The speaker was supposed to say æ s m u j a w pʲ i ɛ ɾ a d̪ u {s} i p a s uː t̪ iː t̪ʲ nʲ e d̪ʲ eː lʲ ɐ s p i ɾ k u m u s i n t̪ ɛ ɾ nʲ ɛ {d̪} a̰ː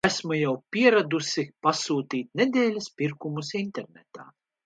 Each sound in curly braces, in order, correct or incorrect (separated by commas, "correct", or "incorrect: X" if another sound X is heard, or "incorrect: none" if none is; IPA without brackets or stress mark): correct, incorrect: t̪